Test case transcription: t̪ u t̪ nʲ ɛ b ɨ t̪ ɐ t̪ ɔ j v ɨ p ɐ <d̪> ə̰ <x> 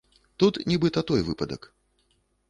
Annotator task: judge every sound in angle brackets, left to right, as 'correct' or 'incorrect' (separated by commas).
correct, incorrect